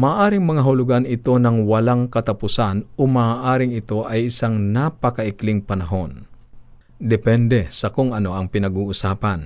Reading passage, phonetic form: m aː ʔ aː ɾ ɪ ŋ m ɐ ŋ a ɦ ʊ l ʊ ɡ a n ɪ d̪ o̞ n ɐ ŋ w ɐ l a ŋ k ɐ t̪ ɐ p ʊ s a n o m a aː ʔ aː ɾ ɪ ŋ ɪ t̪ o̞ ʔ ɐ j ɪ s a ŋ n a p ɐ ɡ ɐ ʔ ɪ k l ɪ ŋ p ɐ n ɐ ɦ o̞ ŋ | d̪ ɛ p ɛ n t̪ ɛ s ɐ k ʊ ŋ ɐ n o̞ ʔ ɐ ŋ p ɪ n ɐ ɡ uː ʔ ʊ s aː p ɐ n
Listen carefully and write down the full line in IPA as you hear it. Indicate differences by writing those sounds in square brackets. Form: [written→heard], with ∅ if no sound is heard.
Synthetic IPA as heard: m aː ʔ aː ɾ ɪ ŋ m ɐ ŋ a ɦ ʊ l ʊ ɡ a n ɪ [d̪→t̪] o̞ n ɐ ŋ w ɐ l a ŋ k ɐ t̪ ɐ p ʊ s a n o m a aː ʔ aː ɾ ɪ ŋ ɪ t̪ o̞ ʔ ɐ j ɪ s a ŋ n a p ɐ [ɡ→k] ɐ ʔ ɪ k l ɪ ŋ p ɐ n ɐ ɦ o̞ [ŋ→n] | d̪ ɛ p ɛ n [t̪→d̪] ɛ s ɐ k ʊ ŋ ɐ n o̞ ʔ ɐ ŋ p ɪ n ɐ ɡ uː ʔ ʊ s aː p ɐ n